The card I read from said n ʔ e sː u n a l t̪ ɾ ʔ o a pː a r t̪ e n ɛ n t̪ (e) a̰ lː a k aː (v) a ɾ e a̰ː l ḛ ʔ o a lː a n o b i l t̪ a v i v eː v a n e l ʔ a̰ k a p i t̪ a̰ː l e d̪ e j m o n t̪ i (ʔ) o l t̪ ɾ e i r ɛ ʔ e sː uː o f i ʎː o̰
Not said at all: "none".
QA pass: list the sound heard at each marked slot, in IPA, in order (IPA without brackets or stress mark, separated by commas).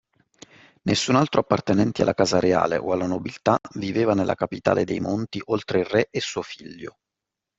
i, z, ʔ